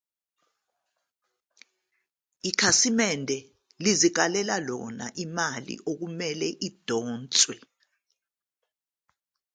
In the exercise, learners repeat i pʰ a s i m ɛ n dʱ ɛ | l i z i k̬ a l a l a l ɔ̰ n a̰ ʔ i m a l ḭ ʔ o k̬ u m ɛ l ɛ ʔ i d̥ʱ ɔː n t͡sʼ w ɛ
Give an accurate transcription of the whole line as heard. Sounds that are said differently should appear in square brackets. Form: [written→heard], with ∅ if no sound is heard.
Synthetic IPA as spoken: i [pʰ→kʰ] a s i m ɛ n dʱ ɛ | l i z i k̬ a l [a→ɛ] l a l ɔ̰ n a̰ ʔ i m a l ḭ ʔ o k̬ u m ɛ l ɛ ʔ i d̥ʱ ɔː n t͡sʼ w ɛ